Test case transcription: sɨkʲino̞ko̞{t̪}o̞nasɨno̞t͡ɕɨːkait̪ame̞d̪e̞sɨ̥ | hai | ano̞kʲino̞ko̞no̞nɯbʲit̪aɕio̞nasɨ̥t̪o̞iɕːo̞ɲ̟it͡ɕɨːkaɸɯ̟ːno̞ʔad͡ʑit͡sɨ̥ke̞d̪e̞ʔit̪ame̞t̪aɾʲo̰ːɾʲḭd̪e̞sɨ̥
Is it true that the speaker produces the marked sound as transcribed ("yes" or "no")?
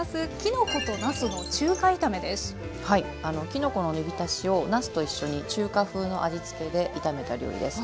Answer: yes